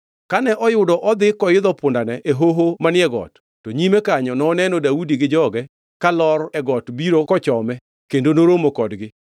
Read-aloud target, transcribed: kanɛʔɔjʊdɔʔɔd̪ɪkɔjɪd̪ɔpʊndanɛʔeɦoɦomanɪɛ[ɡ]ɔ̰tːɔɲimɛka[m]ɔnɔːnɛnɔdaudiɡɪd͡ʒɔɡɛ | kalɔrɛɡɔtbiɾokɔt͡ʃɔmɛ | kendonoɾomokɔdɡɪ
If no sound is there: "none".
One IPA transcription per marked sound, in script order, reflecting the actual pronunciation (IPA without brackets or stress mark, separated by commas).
ɡ, ɲ